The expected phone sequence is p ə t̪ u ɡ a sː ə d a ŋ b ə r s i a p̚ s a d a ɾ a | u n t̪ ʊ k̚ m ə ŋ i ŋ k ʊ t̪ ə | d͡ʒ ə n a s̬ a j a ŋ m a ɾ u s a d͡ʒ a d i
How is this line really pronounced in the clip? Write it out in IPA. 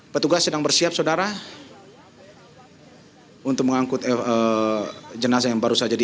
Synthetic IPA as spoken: p ə t̪ u ɡ a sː ə d a ŋ b ə r s i a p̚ s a d a ɾ a | u n t̪ ʊ k̚ m ə ŋ a ŋ k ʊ t̪ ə | d͡ʒ ə n a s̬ a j a ŋ b a ɾ u s a d͡ʒ a d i